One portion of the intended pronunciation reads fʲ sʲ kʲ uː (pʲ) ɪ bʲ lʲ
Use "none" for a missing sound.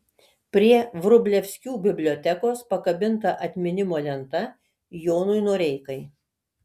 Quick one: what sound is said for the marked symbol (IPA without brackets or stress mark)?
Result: bʲ